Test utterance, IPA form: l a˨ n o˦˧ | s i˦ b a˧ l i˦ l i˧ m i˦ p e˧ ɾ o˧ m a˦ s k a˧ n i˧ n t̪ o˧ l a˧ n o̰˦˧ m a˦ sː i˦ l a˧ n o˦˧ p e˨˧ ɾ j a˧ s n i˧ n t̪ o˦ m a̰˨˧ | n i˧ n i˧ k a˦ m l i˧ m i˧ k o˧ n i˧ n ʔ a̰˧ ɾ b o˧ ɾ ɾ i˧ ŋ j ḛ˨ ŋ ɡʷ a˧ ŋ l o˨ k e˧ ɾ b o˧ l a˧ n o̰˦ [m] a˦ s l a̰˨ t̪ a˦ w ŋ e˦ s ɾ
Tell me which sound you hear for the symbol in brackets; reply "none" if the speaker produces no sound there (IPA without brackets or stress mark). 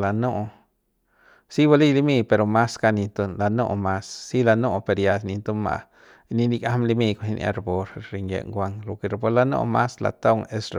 m